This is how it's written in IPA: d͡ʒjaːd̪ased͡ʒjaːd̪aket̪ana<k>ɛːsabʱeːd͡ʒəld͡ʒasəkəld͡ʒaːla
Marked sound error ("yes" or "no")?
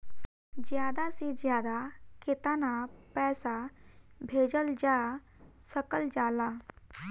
yes